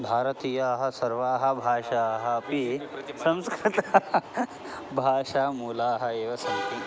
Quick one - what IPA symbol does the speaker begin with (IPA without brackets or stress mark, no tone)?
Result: bʱ